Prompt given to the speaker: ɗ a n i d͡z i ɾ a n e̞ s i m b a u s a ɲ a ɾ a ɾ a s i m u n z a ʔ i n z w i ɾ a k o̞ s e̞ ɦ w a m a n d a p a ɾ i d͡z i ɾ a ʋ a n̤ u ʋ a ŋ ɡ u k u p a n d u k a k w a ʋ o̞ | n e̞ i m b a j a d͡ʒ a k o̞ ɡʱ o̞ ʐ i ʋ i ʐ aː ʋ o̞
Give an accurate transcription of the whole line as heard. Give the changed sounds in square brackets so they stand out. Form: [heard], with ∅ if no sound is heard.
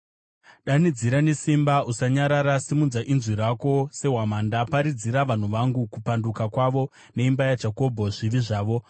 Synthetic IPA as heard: ɗ a n i d͡z i ɾ a n e̞ s i m b a u s a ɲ a ɾ a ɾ a s i m u n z a ʔ i n z w i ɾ a k o̞ s e̞ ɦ w a m a n d a p a ɾ i d͡z i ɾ a ʋ a n̤ u ʋ a ŋ ɡ u k u p a n d u k a k w a ʋ o̞ | n e̞ i m b a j a d͡ʒ a k o̞ [bʱ] o̞ ʐ i ʋ i ʐ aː ʋ o̞